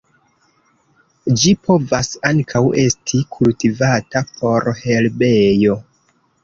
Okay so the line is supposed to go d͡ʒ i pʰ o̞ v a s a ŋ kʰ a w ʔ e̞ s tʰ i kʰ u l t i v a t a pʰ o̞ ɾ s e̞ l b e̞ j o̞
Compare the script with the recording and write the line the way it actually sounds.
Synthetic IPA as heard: d͡ʒ i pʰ o̞ v a s a ŋ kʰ a w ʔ e̞ s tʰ i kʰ u l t i v a t a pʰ o̞ ɾ h e̞ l b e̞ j o̞